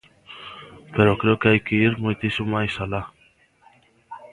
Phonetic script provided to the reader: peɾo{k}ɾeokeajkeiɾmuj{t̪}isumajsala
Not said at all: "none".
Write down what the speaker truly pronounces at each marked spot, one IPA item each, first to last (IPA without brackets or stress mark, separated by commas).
k, t̪